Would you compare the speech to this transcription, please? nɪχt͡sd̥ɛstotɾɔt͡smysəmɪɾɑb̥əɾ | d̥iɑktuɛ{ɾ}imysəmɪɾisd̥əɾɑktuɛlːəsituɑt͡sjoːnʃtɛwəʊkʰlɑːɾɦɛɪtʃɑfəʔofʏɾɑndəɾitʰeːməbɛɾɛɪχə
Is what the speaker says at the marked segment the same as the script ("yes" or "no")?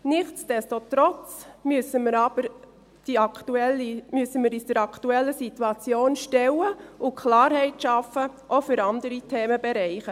no